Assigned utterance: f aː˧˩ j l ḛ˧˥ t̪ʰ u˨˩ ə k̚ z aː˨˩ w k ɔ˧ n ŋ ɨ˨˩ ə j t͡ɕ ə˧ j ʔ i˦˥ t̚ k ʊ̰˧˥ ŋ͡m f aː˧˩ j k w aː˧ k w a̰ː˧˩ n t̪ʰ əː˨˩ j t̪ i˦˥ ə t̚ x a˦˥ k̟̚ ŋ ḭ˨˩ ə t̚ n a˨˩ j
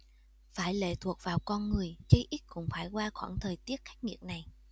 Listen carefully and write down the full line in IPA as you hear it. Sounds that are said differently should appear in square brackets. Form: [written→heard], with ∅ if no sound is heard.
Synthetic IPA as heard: f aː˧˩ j l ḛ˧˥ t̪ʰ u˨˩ ə k̚ [z→v] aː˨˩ w k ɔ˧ n ŋ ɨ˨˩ ə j t͡ɕ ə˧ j ʔ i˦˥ t̚ k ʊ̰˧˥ ŋ͡m f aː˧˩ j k w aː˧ [k→x] w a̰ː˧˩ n t̪ʰ əː˨˩ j t̪ i˦˥ ə t̚ x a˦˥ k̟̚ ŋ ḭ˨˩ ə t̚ n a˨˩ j